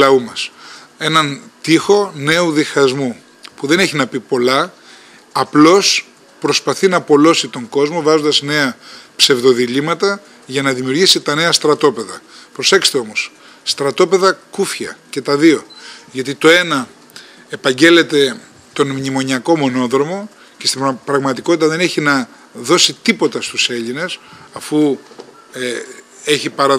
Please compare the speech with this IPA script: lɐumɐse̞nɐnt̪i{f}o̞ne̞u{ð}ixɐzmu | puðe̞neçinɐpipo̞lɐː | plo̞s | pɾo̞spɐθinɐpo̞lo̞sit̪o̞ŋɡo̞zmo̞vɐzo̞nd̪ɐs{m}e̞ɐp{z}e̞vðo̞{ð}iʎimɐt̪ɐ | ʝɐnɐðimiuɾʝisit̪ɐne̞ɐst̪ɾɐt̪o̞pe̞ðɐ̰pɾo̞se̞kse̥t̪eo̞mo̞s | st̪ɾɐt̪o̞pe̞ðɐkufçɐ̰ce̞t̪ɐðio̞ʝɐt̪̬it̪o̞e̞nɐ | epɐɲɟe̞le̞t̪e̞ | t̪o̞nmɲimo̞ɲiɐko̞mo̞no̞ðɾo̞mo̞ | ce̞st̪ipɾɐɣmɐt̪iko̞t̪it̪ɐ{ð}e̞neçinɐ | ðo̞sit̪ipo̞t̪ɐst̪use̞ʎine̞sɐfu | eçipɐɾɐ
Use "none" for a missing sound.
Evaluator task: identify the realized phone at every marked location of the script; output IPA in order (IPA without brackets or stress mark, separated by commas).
x, ð, n, s, ð, ð